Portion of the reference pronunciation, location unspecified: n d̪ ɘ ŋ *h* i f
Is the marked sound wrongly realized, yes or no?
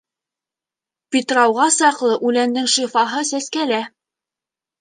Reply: yes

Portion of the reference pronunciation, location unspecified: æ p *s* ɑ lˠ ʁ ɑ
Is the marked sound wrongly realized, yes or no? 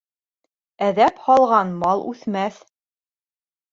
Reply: yes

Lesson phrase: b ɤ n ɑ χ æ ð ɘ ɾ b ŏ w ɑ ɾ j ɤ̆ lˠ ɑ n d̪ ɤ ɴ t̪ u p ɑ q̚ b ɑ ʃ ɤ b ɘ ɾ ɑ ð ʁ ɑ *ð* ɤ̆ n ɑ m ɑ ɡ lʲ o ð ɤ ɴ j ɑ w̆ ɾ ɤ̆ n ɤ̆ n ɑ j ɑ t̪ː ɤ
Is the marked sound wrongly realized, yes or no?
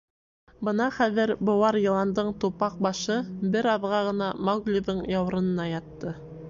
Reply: yes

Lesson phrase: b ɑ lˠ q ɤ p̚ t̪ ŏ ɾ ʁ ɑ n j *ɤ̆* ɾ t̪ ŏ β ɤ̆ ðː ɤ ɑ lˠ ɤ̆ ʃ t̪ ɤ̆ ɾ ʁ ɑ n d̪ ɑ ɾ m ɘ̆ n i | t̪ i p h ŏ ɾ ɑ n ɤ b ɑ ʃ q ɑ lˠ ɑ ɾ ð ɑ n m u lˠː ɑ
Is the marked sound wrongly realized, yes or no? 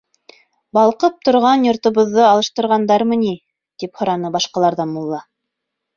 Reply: yes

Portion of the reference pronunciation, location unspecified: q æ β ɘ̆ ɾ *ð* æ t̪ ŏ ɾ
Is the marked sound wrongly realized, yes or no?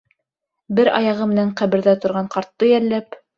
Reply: no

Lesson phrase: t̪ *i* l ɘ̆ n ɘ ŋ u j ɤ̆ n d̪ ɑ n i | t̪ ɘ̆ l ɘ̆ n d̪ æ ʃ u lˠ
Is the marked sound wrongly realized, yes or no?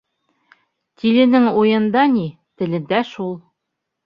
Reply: no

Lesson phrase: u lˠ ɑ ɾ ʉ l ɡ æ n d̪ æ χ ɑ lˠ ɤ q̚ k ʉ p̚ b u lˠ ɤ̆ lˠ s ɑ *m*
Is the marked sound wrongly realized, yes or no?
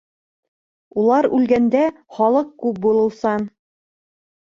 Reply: yes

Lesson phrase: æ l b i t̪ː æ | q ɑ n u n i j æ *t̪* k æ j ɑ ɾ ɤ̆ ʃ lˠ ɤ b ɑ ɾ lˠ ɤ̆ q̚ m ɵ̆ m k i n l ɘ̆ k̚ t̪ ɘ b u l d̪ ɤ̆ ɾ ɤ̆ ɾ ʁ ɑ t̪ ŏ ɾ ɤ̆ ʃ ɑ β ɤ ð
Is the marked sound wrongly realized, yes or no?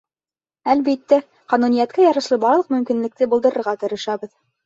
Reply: no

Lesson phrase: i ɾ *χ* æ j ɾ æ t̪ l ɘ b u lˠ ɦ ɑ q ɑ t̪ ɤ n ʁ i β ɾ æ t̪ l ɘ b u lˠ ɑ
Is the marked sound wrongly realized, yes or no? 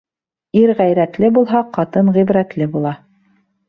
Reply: yes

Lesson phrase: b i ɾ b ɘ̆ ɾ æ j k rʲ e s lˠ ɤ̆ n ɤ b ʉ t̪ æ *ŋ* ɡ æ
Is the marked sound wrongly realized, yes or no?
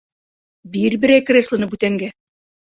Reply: no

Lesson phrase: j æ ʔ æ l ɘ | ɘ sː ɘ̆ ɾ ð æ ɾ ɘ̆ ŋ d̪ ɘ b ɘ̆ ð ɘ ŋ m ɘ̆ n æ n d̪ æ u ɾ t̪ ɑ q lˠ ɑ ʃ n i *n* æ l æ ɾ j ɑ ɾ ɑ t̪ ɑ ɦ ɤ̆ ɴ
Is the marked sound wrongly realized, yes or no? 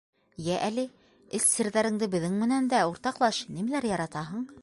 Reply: yes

